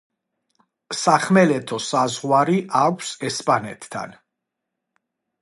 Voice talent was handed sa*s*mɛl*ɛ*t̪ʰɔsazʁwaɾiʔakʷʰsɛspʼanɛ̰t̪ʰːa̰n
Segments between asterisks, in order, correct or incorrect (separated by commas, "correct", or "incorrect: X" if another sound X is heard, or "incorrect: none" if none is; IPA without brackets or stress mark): incorrect: χ, correct